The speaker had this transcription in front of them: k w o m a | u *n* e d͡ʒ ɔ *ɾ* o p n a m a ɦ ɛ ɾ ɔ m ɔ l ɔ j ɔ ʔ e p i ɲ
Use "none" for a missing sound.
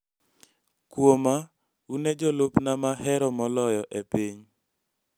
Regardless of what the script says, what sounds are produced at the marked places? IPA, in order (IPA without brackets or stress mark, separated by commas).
n, l